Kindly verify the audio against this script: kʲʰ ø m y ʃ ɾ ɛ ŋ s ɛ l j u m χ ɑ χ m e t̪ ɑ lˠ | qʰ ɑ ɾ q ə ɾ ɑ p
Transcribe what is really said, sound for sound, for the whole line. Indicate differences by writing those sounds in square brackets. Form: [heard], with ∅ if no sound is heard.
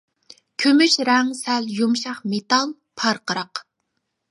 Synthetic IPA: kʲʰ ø m y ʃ ɾ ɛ ŋ s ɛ l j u m [ʃ] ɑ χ m e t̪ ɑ lˠ | [pʰ] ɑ ɾ q ə ɾ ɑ [q]